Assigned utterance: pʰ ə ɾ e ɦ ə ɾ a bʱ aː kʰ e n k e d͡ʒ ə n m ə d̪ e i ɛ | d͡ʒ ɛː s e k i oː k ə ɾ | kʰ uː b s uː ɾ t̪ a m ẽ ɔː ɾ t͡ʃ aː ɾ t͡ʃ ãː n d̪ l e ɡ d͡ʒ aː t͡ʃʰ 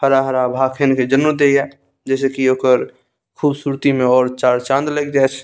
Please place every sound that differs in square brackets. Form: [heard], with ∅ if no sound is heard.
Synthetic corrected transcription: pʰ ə ɾ [a] ɦ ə ɾ a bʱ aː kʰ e n k e d͡ʒ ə n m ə d̪ e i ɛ | d͡ʒ ɛː s e k i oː k ə ɾ | kʰ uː b s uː ɾ t̪ [i] m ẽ ɔː ɾ t͡ʃ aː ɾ t͡ʃ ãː n d̪ l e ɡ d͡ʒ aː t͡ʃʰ